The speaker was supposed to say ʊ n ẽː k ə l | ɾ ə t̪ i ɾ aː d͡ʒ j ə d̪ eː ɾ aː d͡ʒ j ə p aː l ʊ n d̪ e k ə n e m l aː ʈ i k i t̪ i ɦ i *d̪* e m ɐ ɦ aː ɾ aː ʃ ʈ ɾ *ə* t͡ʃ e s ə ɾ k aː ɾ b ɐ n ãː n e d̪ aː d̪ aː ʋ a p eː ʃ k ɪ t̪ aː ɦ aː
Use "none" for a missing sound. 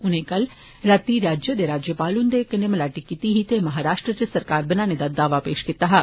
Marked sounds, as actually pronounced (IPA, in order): t̪, ə

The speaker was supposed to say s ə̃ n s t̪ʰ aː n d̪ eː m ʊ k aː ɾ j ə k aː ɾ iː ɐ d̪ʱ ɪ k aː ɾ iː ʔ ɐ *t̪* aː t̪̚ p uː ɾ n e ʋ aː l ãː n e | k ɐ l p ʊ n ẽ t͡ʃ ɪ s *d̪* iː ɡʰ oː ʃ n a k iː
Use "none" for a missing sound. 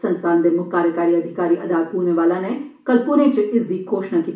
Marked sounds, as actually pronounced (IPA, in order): d̪, d̪

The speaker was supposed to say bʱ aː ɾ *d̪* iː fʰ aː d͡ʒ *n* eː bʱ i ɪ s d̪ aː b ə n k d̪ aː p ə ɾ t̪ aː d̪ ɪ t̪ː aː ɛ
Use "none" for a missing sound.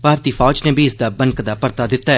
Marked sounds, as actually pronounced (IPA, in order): t̪, n

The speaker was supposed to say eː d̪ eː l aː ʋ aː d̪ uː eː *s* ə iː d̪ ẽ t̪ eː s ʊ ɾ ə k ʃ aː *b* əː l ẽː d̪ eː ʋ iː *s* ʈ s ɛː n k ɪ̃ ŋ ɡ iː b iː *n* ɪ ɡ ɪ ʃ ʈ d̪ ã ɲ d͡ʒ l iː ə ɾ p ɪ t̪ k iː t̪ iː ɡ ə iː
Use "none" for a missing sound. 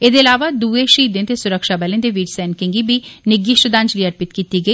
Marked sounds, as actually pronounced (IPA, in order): ʃ, b, none, n

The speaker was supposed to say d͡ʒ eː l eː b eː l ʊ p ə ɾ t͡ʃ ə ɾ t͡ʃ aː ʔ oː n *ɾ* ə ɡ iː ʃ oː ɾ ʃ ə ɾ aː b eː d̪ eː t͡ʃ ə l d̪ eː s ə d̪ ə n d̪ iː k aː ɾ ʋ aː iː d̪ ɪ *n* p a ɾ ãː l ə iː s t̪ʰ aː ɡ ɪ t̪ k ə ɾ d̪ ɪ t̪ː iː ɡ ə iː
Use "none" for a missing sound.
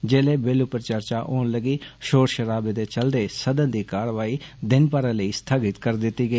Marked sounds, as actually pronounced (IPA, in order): l, n

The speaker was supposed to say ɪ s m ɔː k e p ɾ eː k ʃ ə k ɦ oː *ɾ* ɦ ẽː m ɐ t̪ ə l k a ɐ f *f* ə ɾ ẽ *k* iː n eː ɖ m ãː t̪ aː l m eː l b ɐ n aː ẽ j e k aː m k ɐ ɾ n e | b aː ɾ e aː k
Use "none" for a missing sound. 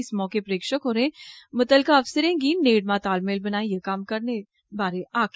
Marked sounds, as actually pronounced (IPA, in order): ɾ, s, ɡ

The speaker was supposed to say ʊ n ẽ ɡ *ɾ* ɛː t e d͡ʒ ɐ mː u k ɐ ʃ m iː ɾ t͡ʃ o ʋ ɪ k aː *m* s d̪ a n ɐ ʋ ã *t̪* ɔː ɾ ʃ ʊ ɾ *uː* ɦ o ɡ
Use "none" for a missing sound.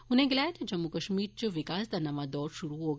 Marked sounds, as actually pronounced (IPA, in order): l, none, d̪, u

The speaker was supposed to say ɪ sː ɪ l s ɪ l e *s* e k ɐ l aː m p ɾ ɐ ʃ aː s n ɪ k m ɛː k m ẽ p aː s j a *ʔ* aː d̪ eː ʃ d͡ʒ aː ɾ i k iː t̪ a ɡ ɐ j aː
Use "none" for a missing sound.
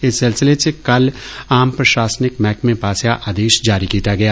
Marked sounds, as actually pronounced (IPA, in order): s, ʔ

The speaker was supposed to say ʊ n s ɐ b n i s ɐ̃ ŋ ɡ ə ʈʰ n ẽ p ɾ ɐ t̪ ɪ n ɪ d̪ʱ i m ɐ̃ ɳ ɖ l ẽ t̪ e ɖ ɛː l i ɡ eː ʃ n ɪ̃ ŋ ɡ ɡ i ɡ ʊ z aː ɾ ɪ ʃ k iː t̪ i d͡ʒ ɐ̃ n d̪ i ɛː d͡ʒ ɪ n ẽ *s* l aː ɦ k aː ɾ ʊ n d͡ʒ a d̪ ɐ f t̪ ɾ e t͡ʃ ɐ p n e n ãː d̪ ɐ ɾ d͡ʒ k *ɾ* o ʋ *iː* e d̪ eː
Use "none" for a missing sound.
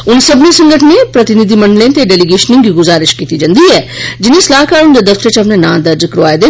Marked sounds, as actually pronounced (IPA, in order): s, ɾ, aː

